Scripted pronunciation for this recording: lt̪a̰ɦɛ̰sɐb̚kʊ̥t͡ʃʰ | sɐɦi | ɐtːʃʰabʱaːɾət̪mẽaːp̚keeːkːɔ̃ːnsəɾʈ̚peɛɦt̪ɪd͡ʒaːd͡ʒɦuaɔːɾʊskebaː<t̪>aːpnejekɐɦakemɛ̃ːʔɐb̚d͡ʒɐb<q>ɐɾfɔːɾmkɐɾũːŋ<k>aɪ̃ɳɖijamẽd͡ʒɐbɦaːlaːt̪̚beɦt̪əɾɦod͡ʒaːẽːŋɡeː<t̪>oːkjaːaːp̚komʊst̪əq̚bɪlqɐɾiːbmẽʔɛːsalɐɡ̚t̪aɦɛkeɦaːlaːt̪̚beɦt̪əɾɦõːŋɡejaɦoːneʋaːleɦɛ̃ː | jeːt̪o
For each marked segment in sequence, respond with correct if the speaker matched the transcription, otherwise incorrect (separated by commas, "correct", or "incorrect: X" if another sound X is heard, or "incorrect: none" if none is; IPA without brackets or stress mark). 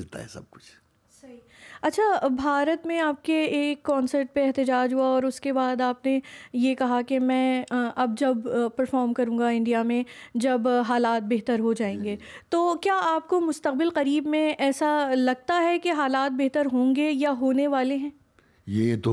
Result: incorrect: d̪, incorrect: p, incorrect: ɡ, correct